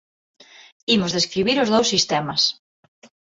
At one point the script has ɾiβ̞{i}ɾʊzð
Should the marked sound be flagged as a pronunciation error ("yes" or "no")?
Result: no